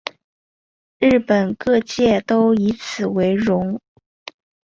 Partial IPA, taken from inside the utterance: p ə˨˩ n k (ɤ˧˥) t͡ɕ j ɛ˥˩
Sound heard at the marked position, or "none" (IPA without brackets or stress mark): ɤ˥˧